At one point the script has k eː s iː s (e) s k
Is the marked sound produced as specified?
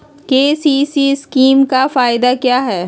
no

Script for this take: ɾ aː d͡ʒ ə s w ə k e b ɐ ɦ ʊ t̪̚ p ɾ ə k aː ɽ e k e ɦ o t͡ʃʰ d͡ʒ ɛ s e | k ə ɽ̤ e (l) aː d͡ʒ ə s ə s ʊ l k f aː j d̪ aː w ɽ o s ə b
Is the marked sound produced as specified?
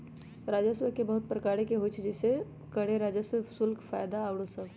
no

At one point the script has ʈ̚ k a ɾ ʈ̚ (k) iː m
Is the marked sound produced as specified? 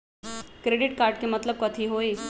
yes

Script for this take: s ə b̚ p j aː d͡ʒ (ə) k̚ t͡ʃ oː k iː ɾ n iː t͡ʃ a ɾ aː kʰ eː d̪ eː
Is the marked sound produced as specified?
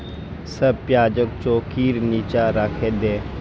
yes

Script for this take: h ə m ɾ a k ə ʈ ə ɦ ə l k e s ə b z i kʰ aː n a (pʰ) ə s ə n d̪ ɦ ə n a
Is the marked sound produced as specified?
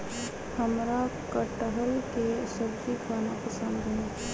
no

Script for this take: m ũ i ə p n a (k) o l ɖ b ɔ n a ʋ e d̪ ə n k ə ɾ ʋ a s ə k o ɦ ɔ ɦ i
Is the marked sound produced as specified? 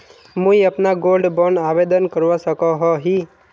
no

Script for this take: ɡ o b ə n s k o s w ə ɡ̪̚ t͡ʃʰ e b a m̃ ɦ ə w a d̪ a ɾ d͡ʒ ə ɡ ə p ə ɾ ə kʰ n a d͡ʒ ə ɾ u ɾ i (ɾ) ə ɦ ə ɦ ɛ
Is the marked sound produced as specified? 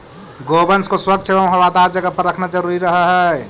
yes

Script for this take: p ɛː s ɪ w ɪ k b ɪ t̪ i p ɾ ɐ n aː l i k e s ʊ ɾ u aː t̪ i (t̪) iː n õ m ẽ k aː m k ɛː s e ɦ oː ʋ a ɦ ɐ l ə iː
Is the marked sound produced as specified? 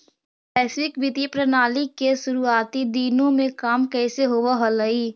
no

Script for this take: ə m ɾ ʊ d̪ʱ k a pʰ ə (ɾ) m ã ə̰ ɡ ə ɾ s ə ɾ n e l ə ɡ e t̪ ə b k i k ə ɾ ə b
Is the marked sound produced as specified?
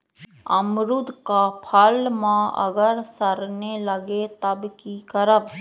no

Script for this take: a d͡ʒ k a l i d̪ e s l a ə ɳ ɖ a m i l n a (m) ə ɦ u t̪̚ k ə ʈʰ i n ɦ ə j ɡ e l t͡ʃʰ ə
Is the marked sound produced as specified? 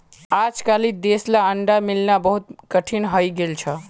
no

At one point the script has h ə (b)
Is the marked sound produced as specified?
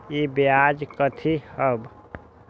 yes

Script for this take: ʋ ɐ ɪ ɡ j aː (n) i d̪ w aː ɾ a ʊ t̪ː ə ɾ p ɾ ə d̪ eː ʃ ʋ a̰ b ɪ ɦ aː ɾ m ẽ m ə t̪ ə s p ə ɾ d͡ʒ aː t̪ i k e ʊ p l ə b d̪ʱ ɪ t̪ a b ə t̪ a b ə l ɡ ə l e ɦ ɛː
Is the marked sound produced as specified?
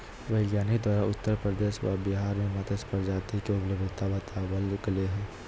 yes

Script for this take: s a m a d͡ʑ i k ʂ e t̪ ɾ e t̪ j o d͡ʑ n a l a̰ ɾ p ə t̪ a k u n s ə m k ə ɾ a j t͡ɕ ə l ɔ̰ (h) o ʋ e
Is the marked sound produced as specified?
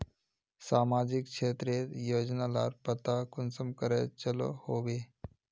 yes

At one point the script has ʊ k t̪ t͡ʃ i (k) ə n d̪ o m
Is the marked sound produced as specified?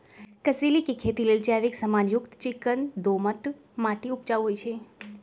yes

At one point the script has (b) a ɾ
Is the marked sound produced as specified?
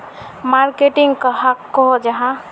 no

